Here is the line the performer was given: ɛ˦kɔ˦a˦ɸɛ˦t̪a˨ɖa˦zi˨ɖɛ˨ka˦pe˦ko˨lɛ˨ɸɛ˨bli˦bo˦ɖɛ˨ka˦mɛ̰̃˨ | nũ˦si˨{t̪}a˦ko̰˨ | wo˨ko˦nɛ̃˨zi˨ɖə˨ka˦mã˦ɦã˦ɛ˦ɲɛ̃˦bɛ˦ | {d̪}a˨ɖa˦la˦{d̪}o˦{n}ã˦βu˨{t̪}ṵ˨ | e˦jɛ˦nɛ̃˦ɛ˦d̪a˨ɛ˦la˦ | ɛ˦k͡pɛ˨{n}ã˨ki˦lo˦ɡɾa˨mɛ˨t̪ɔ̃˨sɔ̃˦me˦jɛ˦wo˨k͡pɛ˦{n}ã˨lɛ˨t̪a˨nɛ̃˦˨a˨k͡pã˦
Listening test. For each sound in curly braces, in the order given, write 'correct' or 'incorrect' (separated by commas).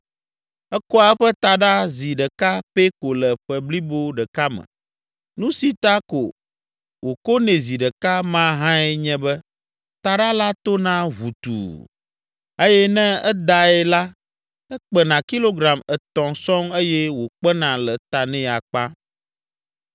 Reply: correct, incorrect, incorrect, correct, correct, correct, correct